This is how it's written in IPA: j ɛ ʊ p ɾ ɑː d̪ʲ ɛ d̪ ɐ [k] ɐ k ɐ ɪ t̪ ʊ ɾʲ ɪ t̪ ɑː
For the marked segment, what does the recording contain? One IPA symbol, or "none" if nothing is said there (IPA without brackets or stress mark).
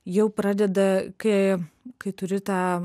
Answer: k